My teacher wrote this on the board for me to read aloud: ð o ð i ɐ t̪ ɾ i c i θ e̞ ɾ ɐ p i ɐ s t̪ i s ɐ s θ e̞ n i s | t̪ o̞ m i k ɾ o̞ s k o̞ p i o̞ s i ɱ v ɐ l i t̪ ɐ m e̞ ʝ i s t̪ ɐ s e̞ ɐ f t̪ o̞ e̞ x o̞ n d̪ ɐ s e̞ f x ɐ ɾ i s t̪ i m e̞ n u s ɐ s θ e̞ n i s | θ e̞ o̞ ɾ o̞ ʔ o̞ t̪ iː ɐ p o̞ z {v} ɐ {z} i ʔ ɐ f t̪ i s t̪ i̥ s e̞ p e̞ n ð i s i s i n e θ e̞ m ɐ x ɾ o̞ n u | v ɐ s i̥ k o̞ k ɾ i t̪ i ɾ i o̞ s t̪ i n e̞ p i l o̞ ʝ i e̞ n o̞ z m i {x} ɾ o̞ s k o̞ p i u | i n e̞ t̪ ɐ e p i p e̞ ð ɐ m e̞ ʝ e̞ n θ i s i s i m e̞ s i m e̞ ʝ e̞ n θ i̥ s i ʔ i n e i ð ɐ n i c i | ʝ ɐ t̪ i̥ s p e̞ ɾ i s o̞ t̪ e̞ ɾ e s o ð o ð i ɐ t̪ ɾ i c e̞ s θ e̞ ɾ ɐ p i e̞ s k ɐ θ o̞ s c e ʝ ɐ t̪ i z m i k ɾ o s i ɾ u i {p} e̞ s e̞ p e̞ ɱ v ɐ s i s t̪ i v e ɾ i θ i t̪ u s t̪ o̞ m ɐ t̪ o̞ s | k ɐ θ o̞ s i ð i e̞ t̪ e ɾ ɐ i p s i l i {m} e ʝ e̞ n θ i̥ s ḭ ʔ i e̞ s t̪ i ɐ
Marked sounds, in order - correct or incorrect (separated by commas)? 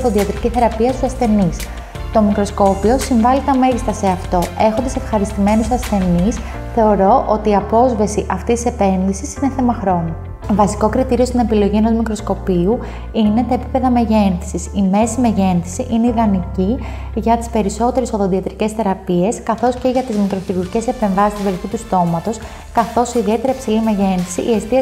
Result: correct, incorrect, incorrect, incorrect, correct